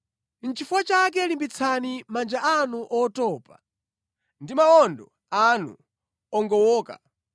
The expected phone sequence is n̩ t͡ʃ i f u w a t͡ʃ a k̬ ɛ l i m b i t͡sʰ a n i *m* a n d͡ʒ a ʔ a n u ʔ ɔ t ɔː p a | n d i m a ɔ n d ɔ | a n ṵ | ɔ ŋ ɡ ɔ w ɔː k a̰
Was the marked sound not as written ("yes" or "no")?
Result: no